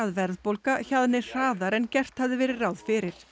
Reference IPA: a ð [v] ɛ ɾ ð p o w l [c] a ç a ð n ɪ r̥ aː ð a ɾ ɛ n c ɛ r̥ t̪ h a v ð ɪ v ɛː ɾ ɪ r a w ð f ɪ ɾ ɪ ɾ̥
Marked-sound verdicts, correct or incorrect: correct, incorrect: k

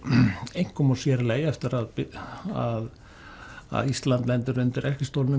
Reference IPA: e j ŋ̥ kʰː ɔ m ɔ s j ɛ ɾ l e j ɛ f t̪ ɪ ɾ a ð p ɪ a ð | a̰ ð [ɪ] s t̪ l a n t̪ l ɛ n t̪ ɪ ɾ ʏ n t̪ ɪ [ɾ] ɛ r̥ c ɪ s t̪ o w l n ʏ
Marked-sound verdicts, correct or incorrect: incorrect: i, correct

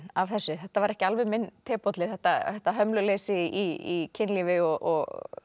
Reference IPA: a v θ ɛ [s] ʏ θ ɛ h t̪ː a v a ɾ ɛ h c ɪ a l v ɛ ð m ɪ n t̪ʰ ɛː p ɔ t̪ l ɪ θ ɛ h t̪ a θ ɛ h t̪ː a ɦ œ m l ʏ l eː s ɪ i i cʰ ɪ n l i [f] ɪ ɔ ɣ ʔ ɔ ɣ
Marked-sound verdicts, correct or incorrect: incorrect: sː, incorrect: v

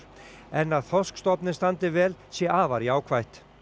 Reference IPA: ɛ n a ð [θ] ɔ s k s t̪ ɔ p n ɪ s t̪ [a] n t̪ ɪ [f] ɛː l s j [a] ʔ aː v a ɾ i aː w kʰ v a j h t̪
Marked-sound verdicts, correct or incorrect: correct, correct, incorrect: v, incorrect: ɛ

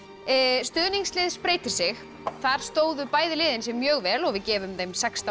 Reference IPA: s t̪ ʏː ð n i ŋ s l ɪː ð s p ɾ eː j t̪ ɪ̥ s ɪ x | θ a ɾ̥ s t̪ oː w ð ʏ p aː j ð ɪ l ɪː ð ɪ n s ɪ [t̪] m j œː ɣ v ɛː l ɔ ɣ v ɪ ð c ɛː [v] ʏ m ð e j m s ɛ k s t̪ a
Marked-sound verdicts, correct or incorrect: incorrect: none, correct

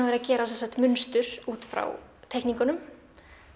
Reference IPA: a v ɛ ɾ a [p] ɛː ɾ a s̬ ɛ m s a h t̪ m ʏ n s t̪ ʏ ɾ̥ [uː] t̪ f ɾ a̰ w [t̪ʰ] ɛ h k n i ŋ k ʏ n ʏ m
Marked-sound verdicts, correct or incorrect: incorrect: c, correct, correct

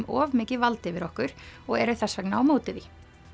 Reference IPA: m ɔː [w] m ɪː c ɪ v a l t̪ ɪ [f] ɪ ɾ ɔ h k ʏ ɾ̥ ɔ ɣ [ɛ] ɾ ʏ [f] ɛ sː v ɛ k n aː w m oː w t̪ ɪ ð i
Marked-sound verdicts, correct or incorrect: incorrect: v, incorrect: v, correct, incorrect: θ

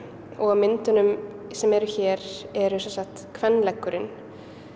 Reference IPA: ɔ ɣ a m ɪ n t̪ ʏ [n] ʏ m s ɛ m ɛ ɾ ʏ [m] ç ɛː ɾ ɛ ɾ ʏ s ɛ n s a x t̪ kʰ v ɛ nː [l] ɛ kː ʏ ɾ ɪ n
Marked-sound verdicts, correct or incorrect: correct, incorrect: none, correct

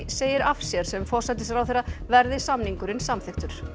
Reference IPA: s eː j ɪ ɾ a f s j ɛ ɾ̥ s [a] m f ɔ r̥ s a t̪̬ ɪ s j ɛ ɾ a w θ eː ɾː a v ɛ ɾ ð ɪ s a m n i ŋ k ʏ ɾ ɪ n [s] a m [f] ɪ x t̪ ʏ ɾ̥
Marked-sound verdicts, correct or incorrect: incorrect: ɛ, correct, incorrect: θ

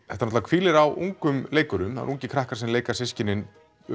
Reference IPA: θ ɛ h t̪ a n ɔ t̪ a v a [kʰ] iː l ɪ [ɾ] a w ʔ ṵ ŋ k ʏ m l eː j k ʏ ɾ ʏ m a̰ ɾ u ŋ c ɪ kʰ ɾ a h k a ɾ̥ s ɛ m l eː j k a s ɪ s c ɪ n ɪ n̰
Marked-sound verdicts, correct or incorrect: correct, correct

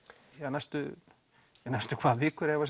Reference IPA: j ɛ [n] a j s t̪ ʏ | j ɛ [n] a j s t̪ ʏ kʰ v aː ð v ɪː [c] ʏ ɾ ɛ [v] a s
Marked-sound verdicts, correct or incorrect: correct, correct, incorrect: k, correct

